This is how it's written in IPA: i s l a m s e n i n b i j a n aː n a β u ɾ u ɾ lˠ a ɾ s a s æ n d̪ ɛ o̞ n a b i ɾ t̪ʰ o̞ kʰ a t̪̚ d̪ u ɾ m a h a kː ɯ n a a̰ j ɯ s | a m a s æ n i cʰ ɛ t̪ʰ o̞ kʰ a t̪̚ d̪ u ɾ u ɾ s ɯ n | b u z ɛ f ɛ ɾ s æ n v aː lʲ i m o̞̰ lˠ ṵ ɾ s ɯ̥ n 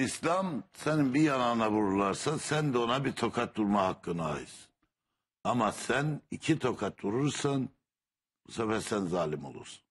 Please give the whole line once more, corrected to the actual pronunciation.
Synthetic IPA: i s l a m s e n i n b i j a n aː n a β u ɾ u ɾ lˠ a ɾ s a s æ n d̪ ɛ o̞ n a b i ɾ t̪ʰ o̞ kʰ a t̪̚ d̪ u ɾ m a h a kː ɯ n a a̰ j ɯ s | a m a s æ n i cʰ i t̪ʰ o̞ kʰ a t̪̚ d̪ u ɾ u ɾ s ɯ n | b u s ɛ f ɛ ɾ s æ n z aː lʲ i m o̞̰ lˠ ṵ ɾ s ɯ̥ n